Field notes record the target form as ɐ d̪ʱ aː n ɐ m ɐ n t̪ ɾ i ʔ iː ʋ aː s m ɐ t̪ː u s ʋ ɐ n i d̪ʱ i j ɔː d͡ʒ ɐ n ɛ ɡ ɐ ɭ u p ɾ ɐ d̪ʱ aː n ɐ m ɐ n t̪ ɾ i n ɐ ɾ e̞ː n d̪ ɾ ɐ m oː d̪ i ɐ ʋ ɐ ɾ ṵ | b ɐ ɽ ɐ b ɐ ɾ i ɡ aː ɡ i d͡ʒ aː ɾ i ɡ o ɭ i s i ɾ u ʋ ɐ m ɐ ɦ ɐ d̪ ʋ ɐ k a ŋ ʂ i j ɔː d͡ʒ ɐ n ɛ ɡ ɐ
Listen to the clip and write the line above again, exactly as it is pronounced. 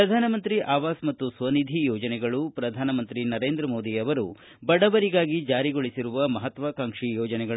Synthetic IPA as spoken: ɐ d̪ʱ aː n ɐ m ɐ n t̪ ɾ i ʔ aː ʋ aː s m ɐ t̪ː u s ʋ ɐ n i d̪ʱ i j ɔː d͡ʒ ɐ n ɛ ɡ ɐ ɭ u p ɾ ɐ d̪ʱ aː n ɐ m ɐ n t̪ ɾ i n ɐ ɾ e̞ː n d̪ ɾ ɐ m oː d̪ i ɐ ʋ ɐ ɾ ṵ | b ɐ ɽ ɐ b ɐ ɾ i ɡ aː ɡ i d͡ʒ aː ɾ i ɡ o ɭ i s i ɾ u ʋ ɐ m ɐ ɦ ɐ t̪ ʋ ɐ k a ŋ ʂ i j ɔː d͡ʒ ɐ n ɛ ɡ ɐ